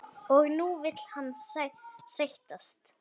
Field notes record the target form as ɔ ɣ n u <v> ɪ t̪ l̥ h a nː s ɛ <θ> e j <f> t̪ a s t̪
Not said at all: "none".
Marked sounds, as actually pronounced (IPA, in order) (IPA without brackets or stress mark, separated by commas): v, s, h